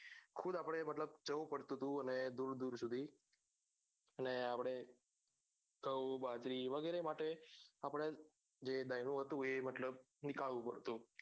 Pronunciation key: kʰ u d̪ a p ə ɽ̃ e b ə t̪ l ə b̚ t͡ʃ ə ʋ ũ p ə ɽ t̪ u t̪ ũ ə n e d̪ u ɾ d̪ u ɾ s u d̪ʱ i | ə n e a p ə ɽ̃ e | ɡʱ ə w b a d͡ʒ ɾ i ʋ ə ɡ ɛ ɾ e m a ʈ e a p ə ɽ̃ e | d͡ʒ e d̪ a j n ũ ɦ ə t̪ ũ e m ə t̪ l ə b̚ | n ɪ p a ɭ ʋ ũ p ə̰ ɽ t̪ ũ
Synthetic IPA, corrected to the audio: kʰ u d̪ a p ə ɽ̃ e m ə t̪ l ə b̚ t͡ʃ ə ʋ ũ p ə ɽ t̪ u t̪ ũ ə n e d̪ u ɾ d̪ u ɾ s u d̪ʱ i | ə n e a p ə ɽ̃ e | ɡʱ ə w b a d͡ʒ ɾ i ʋ ə ɡ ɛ ɾ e m a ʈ e a p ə ɽ̃ e | d͡ʒ e d̪ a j n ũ ɦ ə t̪ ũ e m ə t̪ l ə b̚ | n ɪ k a ɭ ʋ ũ p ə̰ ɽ t̪ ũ